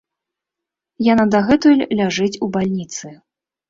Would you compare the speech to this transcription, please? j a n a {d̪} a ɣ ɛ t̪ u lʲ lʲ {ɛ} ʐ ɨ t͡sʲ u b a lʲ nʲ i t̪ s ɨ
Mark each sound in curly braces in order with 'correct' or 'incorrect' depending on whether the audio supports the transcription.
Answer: correct, incorrect: a

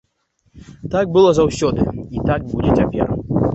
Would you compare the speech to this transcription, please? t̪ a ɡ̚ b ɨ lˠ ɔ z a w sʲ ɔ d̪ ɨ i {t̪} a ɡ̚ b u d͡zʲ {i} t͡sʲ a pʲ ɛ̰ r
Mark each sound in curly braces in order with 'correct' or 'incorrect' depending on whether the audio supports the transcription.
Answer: correct, incorrect: ɛ

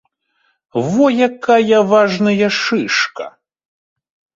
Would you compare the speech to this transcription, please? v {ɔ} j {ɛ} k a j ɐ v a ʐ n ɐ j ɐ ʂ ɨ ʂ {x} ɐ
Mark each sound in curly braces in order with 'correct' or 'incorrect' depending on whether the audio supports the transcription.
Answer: correct, incorrect: a, incorrect: k

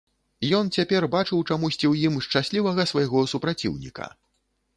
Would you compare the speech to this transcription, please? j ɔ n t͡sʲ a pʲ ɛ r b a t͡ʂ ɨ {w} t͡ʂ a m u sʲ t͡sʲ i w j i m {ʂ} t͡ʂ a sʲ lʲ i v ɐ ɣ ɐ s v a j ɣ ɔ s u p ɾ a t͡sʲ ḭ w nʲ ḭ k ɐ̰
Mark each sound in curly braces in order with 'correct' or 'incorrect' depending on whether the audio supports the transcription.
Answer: correct, correct

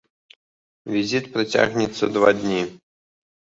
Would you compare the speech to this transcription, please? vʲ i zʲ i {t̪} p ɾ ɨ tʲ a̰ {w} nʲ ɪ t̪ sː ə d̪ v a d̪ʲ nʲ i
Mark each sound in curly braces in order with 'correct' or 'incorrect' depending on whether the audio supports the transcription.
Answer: correct, incorrect: ɣ

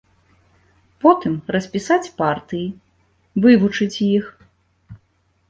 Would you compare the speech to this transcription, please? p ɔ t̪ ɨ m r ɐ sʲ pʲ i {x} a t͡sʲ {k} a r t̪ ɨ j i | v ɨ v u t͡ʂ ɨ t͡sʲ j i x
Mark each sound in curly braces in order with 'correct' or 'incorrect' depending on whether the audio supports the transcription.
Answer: incorrect: s, incorrect: p

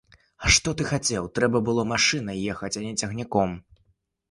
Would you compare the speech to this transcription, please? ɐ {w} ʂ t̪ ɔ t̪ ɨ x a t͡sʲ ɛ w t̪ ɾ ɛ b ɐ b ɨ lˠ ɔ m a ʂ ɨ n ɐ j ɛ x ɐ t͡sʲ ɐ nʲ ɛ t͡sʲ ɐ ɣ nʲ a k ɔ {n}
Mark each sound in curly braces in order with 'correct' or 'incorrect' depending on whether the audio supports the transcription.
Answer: incorrect: none, incorrect: m

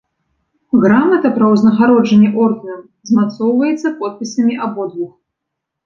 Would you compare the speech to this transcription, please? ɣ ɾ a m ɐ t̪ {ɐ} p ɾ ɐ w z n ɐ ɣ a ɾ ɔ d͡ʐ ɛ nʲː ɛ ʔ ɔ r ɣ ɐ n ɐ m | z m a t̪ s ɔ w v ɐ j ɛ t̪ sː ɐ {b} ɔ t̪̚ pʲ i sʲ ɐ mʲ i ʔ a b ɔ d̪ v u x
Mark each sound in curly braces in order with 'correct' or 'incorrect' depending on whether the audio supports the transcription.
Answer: correct, incorrect: p

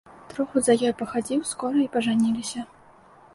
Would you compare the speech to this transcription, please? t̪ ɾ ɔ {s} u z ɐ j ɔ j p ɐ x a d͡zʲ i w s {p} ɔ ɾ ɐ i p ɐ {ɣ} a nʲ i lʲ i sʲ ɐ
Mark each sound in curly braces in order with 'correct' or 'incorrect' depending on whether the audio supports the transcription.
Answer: incorrect: x, incorrect: k, incorrect: ʐ

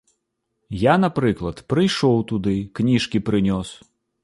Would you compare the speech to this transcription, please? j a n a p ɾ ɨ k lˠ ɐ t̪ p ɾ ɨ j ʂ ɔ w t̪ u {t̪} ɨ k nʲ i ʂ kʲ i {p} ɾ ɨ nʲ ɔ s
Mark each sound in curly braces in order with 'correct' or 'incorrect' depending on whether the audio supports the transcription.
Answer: incorrect: d̪, correct

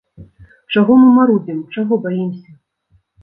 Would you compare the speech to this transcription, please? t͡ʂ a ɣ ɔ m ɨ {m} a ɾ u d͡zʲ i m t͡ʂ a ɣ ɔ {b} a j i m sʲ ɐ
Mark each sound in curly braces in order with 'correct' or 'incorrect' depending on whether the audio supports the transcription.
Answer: correct, correct

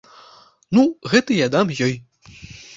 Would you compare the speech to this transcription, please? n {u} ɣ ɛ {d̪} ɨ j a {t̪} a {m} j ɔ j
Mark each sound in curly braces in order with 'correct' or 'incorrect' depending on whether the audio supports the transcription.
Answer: correct, incorrect: t̪, incorrect: d̪, correct

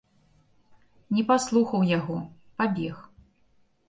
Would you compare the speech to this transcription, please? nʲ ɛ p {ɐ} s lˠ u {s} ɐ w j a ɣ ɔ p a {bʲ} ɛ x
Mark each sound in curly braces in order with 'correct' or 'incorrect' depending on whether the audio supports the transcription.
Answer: incorrect: a, incorrect: x, correct

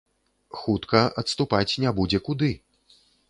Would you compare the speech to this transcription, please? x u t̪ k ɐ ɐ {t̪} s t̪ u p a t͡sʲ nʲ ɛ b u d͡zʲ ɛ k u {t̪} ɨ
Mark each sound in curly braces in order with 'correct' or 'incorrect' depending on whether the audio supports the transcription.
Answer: correct, incorrect: d̪

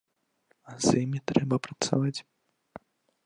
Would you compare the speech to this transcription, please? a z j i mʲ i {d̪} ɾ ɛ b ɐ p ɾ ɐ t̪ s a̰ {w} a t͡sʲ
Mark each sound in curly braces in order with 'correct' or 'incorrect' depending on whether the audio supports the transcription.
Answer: incorrect: t̪, incorrect: v

